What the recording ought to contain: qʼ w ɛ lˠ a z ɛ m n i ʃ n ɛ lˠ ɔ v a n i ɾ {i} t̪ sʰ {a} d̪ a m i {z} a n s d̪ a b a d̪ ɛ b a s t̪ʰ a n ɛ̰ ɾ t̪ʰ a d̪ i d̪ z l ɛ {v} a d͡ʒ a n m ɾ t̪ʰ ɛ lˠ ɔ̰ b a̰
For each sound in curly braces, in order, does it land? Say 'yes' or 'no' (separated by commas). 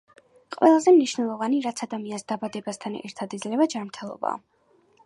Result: no, yes, no, yes